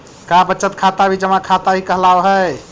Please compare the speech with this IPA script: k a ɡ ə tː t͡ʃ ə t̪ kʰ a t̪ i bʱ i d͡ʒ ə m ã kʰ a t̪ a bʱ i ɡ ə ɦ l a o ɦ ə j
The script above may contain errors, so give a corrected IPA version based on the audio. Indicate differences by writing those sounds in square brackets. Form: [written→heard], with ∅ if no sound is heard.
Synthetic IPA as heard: k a [ɡ→b] ə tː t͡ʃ ə t̪ kʰ a t̪ [i→a] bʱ i d͡ʒ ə m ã kʰ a t̪ a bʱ i [ɡ→k] ə ɦ l a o ɦ ə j